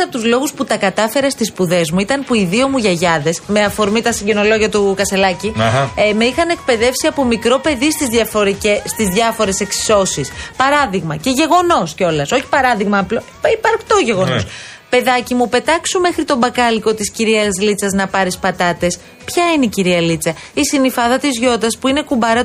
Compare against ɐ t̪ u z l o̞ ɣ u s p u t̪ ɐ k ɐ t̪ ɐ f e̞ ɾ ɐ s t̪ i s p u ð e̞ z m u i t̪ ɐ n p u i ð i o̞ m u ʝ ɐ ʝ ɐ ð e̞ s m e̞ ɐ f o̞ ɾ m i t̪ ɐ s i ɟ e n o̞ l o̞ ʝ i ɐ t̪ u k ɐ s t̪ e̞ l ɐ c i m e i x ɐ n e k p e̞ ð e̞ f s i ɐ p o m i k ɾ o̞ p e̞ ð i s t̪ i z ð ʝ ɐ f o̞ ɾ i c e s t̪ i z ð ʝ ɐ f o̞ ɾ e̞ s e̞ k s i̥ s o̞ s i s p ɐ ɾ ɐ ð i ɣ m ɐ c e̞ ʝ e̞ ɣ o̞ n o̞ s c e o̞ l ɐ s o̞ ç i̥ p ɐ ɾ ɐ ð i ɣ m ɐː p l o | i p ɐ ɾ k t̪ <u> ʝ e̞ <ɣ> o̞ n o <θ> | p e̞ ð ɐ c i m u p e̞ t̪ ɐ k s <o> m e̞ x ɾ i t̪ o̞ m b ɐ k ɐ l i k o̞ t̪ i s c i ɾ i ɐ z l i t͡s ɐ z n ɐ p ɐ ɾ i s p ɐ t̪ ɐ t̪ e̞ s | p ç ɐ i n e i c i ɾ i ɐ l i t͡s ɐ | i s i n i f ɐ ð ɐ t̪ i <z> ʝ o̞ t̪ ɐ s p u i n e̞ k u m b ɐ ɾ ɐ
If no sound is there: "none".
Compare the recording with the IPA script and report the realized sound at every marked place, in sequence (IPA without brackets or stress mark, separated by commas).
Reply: o, ɣ, s, u, z